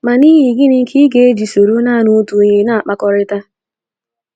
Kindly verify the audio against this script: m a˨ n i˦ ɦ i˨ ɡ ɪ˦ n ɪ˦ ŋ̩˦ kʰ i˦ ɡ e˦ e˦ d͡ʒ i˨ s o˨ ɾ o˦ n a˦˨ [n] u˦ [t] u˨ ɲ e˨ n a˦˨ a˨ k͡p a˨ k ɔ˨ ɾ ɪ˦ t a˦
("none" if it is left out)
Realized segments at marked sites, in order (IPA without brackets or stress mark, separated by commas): n, t